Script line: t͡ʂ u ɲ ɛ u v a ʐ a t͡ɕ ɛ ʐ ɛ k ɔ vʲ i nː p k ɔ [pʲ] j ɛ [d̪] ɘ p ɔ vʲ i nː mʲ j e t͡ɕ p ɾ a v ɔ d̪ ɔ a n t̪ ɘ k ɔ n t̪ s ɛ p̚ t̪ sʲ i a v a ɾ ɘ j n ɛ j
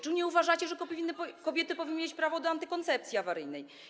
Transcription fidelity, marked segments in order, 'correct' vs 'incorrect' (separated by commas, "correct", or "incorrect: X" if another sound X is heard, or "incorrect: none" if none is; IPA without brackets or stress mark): incorrect: bʲ, incorrect: t̪